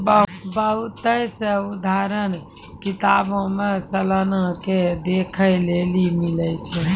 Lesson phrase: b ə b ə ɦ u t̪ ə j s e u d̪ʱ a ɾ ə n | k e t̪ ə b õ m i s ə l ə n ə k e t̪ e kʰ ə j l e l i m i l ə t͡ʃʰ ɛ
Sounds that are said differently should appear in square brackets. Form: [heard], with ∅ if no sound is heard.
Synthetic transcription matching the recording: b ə b ə ɦ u t̪ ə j s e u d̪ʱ a ɾ ə n | k [i] t̪ [a] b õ m [e] s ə l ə n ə k e [d̪] e kʰ ə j l e l i m i l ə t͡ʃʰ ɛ

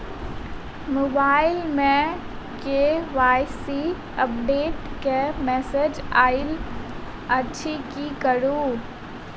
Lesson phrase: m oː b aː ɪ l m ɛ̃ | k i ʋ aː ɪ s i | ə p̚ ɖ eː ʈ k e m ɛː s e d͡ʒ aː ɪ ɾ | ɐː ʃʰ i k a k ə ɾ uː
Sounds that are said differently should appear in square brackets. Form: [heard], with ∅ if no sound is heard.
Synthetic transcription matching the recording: m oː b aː ɪ l m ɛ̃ | k [e] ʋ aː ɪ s i | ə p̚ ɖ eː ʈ k e m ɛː s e d͡ʒ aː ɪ [l] | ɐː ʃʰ i k [i] k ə ɾ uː

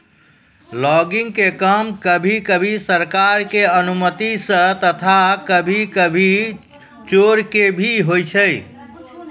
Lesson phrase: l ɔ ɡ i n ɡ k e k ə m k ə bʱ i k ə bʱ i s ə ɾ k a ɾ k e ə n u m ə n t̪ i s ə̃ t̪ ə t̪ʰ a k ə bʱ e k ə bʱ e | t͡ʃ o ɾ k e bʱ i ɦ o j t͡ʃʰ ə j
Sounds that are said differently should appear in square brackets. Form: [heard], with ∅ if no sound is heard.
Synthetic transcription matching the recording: l ɔ ɡ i [ŋ] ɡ k e k ə m k ə bʱ i k ə bʱ i s ə ɾ k a ɾ k e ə n u m ə [∅] t̪ i s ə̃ t̪ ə t̪ʰ a k ə bʱ [i] k ə bʱ [i] | t͡ʃ o ɾ k e bʱ i ɦ o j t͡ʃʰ ə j

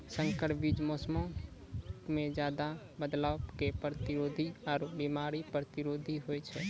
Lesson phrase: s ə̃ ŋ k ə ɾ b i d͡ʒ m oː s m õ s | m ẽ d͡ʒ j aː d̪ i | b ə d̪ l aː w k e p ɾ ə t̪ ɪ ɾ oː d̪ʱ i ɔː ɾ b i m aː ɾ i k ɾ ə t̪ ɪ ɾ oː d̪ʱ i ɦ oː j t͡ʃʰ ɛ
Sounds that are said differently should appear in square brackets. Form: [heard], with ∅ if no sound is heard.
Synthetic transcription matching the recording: s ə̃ ŋ k ə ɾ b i d͡ʒ m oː s m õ [∅] | m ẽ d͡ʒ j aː d̪ [a] | b ə d̪ l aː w k e p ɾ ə t̪ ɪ ɾ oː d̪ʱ i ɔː ɾ b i m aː ɾ i [p] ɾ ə t̪ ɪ ɾ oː d̪ʱ i ɦ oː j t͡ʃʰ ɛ

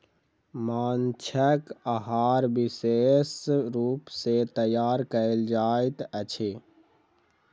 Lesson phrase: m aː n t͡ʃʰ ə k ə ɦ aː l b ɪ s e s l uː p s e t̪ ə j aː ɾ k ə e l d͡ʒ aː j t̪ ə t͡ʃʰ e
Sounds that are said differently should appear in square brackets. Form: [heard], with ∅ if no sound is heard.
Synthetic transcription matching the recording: m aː n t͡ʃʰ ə k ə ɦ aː [ɾ] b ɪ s e s [ɾ] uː p s e t̪ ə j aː ɾ k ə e l d͡ʒ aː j t̪ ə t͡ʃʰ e

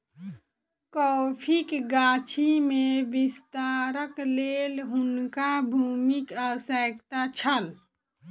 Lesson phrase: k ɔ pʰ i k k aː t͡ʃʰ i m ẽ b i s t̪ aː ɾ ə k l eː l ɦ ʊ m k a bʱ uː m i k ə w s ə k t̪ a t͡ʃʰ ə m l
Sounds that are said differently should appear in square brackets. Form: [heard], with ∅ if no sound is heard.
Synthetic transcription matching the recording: k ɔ pʰ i k [ɡ] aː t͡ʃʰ i m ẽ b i s t̪ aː ɾ ə k l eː l ɦ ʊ [n] k a bʱ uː m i k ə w s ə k t̪ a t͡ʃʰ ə [∅] l

